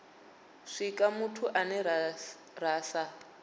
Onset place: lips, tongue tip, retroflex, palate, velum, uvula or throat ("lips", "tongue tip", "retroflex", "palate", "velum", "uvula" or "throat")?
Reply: retroflex